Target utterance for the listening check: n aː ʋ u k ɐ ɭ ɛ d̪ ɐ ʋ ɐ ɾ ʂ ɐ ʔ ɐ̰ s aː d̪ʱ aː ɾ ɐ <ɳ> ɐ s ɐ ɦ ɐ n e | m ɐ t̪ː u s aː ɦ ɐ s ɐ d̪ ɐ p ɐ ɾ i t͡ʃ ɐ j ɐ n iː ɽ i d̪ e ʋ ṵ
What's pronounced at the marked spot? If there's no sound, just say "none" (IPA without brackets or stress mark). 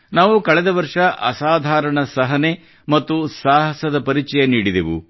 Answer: ɳ